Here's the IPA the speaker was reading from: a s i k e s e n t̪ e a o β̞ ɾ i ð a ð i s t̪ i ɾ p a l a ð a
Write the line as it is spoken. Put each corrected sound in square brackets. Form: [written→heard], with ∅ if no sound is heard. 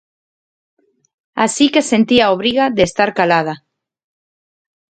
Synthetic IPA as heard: a s i k e s e n t̪ [e→i] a o β̞ ɾ i [ð→ɣ] a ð [i→e] s t̪ [i→a] ɾ [p→k] a l a ð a